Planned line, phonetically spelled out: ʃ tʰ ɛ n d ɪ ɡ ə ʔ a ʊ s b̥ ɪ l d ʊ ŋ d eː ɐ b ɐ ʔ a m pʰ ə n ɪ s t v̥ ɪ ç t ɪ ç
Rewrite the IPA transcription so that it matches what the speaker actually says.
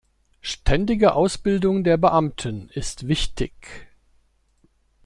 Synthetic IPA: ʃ tʰ ɛ n d ɪ ɡ ə ʔ a ʊ s b̥ ɪ l d ʊ ŋ d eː ɐ b ə ʔ a m tʰ ə n ɪ s t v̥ ɪ ç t ɪ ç